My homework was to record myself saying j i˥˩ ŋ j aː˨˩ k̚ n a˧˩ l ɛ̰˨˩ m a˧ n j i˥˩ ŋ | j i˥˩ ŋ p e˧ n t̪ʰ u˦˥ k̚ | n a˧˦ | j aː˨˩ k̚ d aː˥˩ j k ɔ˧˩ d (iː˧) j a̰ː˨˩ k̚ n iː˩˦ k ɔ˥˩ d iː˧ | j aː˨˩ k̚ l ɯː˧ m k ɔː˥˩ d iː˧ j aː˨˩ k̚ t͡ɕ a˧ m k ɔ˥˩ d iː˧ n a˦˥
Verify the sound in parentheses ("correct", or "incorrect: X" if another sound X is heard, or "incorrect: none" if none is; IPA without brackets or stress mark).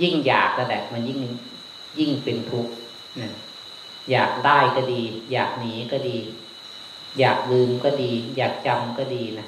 correct